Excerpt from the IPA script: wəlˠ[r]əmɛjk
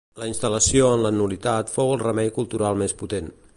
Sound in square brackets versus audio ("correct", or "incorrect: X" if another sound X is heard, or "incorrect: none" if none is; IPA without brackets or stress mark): correct